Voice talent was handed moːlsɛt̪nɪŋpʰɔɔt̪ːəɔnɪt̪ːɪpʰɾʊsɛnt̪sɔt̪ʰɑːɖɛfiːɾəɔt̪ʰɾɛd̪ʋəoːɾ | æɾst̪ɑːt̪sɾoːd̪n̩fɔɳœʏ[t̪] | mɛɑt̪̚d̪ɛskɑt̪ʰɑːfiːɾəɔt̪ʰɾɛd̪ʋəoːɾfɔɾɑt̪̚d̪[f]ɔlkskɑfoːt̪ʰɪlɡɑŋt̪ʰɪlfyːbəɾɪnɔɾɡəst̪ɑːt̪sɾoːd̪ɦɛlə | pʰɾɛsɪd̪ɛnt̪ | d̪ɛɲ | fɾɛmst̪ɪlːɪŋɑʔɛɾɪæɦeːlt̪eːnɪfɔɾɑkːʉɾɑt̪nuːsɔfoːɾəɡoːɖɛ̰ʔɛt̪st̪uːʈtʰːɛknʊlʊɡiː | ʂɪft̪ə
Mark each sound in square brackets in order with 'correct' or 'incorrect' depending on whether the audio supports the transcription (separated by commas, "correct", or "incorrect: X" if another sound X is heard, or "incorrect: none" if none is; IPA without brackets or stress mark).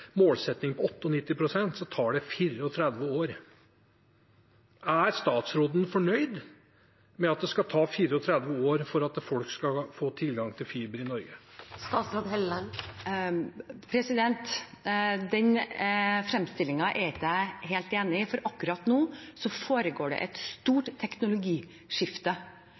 incorrect: d̪, correct